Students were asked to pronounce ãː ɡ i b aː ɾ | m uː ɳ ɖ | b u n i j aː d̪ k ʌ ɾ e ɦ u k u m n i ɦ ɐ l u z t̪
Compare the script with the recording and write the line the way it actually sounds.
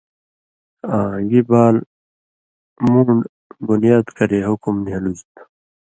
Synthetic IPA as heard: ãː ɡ i b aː l | m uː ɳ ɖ | b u n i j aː d̪ k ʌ ɾ e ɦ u k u m n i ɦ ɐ l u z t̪